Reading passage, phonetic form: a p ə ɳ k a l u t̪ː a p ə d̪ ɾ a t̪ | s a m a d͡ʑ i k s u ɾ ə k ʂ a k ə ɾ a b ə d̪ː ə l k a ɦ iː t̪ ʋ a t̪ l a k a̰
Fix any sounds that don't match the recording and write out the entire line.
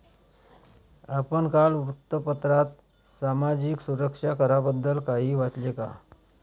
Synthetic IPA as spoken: a p ə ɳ k a l u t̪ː ə p ə t̪ ɾ a t̪ | s a m a d͡ʑ i k s u ɾ ə k ʂ a k ə ɾ a b ə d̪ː ə l k a ɦ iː ʋ a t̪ l e k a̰

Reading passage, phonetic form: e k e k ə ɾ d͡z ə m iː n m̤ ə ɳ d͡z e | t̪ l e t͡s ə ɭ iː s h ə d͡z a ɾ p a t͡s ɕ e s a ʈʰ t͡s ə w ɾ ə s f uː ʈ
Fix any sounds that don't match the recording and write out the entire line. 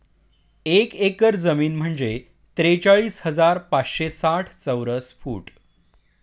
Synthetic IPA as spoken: e k e k ə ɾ d͡z ə m iː n m̤ ə ɳ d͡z e | t̪ ɾ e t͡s a ɭ iː s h ə d͡z a ɾ p a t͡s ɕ e s a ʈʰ t͡s ə w ɾ ə s f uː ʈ

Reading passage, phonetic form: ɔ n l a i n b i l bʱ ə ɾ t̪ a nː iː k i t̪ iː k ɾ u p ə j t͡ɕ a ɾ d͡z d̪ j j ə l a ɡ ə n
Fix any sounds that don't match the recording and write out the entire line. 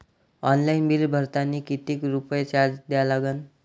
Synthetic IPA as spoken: ɔ n l a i n b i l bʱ ə ɾ t̪ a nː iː k i t̪ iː k ɾ u p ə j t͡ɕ a ɾ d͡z d̪ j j a l a ɡ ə n

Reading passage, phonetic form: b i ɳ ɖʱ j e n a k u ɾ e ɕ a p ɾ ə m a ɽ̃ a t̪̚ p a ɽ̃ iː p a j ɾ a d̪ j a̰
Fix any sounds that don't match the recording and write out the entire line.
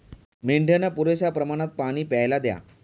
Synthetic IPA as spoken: m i ɳ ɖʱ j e n a p u ɾ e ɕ a p ɾ ə m a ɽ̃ a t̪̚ p a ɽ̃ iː p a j l a d̪ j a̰

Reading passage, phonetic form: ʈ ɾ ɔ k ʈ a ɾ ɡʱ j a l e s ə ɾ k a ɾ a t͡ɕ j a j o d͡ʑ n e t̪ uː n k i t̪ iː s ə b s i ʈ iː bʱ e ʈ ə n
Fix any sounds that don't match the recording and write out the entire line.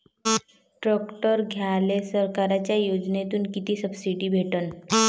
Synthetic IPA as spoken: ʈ ɾ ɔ k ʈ ə ɾ ɡʱ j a l e s ə ɾ k a ɾ a t͡ɕ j a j o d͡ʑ n e t̪ uː n k i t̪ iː s ə b s i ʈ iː bʱ e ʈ ə n

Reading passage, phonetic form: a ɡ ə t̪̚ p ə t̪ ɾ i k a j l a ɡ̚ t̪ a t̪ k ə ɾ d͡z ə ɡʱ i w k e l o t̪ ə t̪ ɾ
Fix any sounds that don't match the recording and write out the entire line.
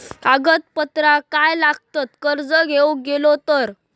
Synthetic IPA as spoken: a ɡ ə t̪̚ p ə t̪ ɾ a k a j l a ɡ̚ t̪ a t̪ k ə ɾ d͡z ə ɡʱ e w ɡ e l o t̪ ə ɾ

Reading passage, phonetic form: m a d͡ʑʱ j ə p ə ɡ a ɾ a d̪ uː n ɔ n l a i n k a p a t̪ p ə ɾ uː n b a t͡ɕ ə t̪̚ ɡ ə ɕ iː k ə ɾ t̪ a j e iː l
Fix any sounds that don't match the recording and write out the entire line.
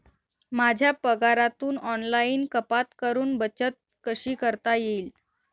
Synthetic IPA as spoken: m a d͡ʑʱ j a p ə ɡ a ɾ a t̪ uː n ɔ n l a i n k ə p a t̪ k ə ɾ uː n b ə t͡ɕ ə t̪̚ k ə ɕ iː k ə ɾ t̪ a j e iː l

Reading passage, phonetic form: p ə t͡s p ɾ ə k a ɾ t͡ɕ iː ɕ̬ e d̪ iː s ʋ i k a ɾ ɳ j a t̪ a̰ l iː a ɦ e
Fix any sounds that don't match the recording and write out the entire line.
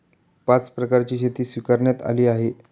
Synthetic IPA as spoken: p a t͡s p ɾ ə k a ɾ t͡ɕ iː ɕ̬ e t̪ iː s ʋ i k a ɾ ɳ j a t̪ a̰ l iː a ɦ e

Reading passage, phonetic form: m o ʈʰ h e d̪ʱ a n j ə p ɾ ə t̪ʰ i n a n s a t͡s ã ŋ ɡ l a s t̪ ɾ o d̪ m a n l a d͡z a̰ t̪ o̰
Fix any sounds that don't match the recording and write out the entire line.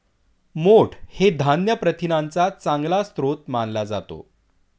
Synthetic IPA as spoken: m o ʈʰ h e d̪ʱ a n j ə p ɾ ə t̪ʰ i n a n t͡s a t͡s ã ŋ ɡ l a s t̪ ɾ o t̪ m a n l a d͡z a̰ t̪ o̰

